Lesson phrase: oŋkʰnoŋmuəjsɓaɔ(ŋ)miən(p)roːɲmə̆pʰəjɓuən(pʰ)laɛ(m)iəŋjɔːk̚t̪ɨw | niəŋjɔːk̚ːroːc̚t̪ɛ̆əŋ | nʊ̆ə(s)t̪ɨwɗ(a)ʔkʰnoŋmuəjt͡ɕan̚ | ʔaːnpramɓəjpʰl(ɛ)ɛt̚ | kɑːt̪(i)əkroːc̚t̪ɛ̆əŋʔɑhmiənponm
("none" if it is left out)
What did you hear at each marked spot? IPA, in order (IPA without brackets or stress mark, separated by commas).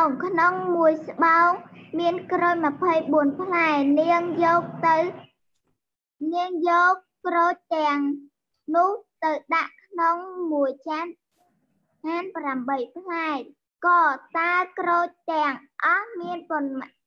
ŋ, k, pʰ, n, h, a, a, a